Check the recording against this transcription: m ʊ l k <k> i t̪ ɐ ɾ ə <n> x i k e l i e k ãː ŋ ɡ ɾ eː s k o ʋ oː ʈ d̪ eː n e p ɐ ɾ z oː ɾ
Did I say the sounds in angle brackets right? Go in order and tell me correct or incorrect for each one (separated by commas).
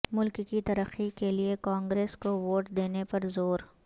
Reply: correct, incorrect